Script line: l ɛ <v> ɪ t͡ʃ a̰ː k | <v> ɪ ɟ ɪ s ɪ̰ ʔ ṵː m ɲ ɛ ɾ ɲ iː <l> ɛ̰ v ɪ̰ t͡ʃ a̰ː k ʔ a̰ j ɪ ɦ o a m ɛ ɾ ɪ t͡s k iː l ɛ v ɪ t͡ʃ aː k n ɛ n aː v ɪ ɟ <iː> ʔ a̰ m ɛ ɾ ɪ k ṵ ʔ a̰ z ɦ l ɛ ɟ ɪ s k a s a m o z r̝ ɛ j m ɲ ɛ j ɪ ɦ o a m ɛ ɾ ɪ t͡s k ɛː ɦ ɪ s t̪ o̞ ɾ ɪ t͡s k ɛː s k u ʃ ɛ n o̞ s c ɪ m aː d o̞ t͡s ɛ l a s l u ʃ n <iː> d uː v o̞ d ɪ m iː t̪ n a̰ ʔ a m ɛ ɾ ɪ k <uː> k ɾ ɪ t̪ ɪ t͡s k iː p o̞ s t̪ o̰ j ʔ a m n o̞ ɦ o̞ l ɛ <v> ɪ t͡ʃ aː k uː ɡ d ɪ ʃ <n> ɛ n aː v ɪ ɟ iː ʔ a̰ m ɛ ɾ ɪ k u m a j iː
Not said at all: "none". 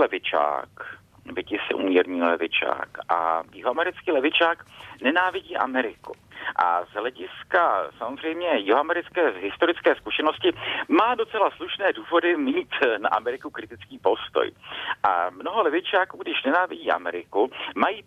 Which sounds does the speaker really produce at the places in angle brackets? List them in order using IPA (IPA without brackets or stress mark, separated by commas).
v, v, l, iː, ɛː, u, v, n